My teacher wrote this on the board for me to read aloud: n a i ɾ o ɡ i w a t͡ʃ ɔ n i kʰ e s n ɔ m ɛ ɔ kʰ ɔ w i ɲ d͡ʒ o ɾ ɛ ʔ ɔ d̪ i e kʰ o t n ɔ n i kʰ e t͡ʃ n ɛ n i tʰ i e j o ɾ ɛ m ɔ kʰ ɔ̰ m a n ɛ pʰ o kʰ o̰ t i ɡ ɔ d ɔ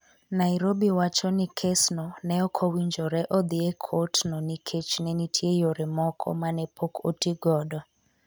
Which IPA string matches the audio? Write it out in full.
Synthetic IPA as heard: n a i ɾ o b i w a t͡ʃ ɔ n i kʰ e s n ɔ n ɛ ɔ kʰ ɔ w i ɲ d͡ʒ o ɾ ɛ ʔ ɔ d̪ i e kʰ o t n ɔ n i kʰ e t͡ʃ n ɛ n i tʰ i e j o ɾ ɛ m ɔ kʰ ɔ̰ m a n ɛ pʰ o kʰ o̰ t i ɡ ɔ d ɔ